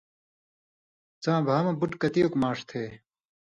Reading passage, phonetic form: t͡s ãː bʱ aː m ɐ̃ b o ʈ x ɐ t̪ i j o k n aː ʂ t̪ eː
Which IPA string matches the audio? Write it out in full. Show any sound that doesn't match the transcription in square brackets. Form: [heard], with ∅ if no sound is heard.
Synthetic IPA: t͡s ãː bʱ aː m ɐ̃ b [u] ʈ [k] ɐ t̪ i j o k [m] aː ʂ [t̪ʰ] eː